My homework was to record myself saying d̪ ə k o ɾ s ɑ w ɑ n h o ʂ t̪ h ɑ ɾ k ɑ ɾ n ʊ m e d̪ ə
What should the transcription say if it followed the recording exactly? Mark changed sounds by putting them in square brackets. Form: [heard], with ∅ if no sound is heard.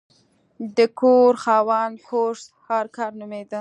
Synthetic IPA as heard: d̪ ə k o ɾ [x] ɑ w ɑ n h o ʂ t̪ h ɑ ɾ k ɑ ɾ n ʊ m e d̪ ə